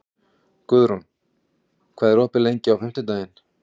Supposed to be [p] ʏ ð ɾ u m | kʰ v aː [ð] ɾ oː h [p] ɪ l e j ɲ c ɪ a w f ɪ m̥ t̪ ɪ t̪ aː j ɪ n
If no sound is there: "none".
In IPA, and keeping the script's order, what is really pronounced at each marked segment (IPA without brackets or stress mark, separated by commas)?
k, ð, p